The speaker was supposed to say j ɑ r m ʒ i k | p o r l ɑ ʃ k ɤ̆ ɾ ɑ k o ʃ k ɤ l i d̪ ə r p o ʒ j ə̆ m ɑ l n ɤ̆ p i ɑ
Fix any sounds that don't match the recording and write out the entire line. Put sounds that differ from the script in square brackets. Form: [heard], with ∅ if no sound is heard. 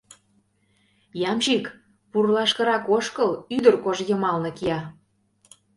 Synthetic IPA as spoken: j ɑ [∅] m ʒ i k | p [u] r l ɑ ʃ k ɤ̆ ɾ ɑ k o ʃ k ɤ l [y] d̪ ə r [k] o ʒ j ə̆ m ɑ l n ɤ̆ [k] i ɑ